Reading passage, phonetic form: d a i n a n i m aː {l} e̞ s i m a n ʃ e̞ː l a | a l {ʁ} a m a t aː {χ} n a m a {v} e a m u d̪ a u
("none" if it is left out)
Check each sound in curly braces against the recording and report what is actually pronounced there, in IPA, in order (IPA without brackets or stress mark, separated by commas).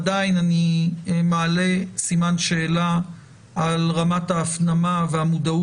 l, ʁ, f, v